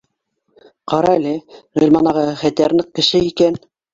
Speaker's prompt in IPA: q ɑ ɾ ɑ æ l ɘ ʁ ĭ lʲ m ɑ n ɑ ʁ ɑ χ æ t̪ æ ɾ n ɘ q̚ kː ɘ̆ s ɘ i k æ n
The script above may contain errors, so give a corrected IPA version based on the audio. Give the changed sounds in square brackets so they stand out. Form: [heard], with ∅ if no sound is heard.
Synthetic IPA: q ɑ ɾ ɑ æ l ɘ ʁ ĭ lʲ m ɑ n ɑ ʁ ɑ χ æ t̪ æ ɾ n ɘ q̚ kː ɘ̆ [ʃ] ɘ i k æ n